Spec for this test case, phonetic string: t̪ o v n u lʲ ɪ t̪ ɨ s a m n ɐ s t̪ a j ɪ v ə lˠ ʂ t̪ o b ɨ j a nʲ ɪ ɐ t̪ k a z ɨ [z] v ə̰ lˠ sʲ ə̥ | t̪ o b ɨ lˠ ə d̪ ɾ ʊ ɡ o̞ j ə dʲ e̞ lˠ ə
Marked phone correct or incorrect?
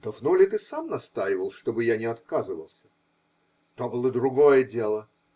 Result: incorrect